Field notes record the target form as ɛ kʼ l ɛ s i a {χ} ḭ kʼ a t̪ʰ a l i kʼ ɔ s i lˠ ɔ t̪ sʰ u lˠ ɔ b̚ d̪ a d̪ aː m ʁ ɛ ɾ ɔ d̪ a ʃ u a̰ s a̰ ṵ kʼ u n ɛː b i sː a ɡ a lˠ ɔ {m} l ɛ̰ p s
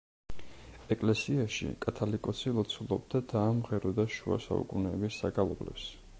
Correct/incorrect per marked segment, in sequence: incorrect: ʃ, incorrect: b

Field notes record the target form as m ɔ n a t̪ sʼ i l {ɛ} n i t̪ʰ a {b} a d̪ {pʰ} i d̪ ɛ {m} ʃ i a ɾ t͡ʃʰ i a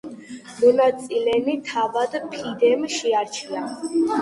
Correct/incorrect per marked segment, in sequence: correct, incorrect: v, correct, correct

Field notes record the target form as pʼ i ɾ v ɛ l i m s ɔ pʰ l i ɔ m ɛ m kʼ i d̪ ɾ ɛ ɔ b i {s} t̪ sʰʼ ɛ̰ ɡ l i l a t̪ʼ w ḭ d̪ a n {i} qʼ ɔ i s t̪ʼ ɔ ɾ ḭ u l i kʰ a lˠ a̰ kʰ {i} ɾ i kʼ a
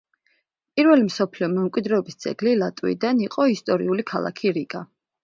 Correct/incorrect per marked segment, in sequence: correct, correct, correct

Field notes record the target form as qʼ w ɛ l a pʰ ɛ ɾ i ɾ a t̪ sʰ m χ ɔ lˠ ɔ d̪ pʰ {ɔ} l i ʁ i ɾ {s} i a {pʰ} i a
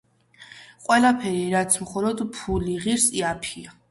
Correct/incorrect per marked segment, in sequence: incorrect: u, correct, correct

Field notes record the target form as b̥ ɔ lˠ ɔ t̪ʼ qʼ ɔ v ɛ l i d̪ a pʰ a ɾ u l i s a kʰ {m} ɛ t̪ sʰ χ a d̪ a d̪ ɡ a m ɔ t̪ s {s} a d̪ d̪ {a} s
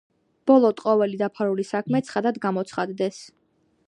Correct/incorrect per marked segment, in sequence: correct, incorrect: χ, incorrect: ɛ

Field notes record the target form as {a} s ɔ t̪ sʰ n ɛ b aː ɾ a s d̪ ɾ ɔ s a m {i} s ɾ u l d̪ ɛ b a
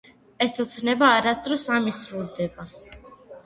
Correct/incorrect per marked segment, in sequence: incorrect: ɛ, correct

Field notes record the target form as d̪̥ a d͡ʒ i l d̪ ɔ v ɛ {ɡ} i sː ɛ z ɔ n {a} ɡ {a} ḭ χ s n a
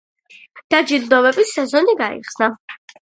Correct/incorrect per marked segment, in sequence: incorrect: b, incorrect: i, correct

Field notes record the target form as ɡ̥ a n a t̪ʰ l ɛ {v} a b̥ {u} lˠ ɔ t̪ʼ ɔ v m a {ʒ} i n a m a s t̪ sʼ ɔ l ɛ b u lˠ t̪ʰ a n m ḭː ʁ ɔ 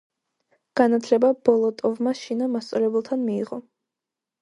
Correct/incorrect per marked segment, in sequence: incorrect: b, incorrect: ɔ, incorrect: ʃ

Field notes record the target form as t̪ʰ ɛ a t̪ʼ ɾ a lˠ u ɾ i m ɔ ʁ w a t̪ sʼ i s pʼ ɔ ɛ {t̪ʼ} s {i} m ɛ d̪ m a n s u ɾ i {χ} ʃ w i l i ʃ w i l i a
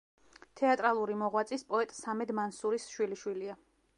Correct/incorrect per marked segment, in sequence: correct, incorrect: a, incorrect: s

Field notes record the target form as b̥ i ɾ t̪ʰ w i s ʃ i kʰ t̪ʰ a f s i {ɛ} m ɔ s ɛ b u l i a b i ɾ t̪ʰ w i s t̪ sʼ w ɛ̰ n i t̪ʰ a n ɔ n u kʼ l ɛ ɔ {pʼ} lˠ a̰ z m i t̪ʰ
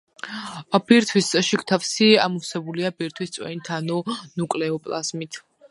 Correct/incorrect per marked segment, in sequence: incorrect: a, correct

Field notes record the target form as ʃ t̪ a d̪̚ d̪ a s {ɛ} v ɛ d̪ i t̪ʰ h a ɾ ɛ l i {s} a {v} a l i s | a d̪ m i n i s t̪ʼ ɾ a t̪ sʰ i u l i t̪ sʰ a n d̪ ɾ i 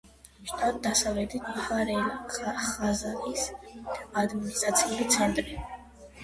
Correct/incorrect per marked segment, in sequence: incorrect: a, incorrect: χ, incorrect: z

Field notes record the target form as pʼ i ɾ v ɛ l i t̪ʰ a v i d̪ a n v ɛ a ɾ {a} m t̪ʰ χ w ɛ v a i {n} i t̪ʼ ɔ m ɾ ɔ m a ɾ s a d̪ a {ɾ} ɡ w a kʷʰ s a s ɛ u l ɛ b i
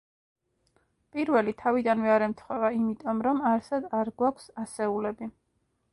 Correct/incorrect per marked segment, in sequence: incorrect: ɛ, incorrect: m, correct

